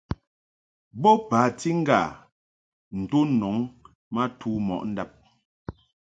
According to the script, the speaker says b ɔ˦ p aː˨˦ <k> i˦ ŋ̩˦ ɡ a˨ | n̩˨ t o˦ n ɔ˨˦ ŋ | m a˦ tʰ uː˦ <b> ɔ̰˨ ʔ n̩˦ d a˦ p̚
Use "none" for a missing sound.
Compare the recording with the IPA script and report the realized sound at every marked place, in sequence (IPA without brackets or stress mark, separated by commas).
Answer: t, m